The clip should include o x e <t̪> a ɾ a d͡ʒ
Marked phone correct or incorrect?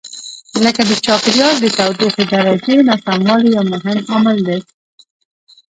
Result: incorrect